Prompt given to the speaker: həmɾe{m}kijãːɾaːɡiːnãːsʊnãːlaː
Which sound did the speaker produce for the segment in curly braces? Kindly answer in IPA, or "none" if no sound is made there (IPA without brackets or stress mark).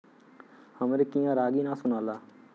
none